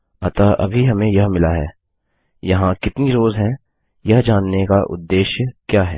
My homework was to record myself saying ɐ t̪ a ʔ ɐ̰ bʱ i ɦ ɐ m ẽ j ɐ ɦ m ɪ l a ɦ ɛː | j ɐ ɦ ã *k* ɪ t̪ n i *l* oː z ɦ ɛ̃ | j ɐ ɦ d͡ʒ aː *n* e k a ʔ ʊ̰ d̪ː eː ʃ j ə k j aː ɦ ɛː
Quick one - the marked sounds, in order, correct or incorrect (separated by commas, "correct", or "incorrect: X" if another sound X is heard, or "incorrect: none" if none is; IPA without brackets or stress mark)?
correct, incorrect: ɾ, incorrect: nː